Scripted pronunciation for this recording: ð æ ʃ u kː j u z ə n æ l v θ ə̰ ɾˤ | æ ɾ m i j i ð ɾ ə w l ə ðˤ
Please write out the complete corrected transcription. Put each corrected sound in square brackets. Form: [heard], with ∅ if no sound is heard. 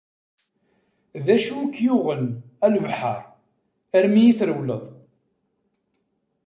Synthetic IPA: ð æ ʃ u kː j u [ʁ] ə n æ l v [ħ] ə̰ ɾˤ | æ ɾ m i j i [θ] ɾ ə w l ə ðˤ

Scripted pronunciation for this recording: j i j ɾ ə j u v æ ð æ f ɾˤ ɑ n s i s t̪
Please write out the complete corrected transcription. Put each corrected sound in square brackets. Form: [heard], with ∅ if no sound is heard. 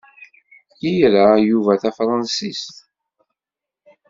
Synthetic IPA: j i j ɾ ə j u v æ [θ] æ f ɾˤ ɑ n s i s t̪

